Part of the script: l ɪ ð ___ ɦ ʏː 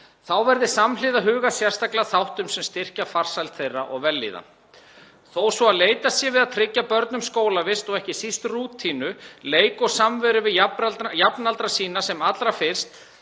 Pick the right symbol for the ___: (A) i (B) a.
B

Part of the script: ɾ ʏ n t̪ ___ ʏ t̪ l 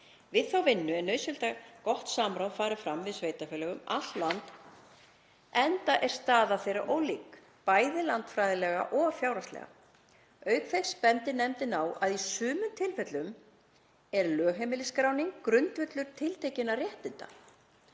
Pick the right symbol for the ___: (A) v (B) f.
A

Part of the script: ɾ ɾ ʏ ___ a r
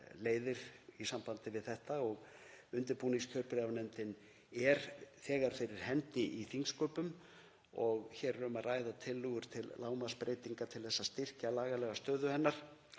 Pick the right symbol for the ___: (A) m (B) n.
A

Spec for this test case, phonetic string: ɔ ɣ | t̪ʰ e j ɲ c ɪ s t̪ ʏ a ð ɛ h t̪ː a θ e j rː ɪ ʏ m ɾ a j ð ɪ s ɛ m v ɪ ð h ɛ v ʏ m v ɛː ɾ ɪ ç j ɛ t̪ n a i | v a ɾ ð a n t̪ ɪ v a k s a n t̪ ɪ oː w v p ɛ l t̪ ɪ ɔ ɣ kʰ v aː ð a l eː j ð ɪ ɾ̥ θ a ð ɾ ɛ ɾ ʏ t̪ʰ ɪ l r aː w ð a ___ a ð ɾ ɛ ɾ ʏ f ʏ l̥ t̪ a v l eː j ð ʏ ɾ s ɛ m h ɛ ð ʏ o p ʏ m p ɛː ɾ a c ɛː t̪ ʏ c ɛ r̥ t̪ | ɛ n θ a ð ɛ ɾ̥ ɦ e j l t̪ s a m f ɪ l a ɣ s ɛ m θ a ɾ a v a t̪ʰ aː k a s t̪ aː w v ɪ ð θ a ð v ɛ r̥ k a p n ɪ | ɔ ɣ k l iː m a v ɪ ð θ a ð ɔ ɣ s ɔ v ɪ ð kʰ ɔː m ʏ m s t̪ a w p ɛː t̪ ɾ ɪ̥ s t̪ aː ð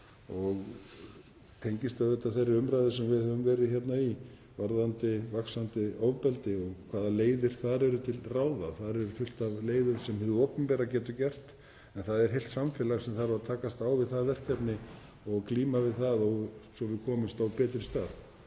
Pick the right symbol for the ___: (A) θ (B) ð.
A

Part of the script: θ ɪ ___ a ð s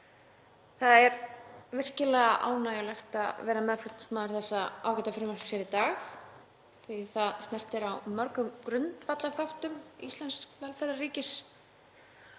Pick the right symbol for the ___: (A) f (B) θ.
B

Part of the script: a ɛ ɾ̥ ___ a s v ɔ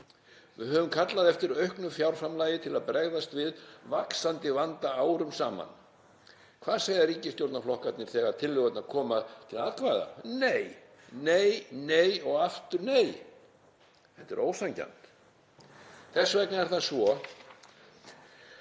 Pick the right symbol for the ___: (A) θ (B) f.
A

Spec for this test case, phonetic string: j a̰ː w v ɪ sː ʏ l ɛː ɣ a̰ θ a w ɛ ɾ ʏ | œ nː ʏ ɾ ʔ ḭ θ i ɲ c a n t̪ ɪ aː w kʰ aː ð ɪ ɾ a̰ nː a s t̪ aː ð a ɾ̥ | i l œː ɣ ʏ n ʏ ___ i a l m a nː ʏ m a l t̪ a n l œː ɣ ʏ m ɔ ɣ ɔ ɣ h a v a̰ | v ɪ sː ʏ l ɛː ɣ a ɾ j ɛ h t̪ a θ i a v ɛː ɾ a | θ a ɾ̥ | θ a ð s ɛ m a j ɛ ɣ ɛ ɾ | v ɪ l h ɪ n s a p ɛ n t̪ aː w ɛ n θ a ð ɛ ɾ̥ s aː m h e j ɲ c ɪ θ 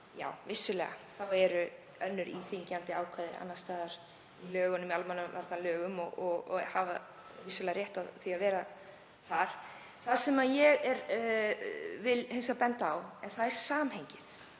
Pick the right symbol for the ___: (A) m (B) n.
A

